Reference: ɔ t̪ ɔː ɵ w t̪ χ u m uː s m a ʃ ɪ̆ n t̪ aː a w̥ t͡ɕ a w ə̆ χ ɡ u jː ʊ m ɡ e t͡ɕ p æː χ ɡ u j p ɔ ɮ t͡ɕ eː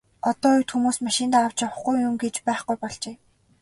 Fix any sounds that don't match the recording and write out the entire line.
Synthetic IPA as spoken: ɔ t̪ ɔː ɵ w t̪ x u m uː s m a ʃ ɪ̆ n t̪ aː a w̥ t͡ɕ a w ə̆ χ ɡ u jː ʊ m ɡ e t͡ɕ p æː χ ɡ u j p ɔ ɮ t͡ɕ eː